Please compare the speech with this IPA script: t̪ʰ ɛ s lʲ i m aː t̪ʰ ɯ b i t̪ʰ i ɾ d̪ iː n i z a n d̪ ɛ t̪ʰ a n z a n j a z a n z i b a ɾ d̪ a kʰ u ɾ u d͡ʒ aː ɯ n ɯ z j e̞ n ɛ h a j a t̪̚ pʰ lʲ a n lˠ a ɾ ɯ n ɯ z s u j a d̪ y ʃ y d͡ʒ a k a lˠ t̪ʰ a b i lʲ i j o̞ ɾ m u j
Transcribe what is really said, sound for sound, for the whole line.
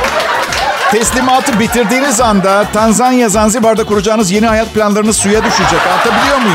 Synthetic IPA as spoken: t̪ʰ ɛ s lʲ i m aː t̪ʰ ɯ b i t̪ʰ i ɾ d̪ iː n i z a n d̪ a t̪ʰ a n z a n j a z a n z i b a ɾ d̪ a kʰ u ɾ u d͡ʒ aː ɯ n ɯ z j e̞ n i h a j a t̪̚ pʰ lʲ a n lˠ a ɾ ɯ n ɯ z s u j a d̪ y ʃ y d͡ʒ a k a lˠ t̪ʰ a b i lʲ i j o̞ ɾ m u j